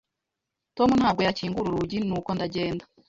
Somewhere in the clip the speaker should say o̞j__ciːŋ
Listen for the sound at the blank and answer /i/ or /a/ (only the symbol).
a